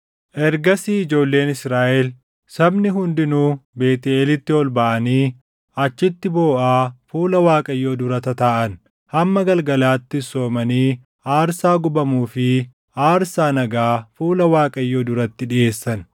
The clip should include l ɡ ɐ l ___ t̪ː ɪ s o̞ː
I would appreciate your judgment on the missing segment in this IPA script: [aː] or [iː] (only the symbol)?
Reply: aː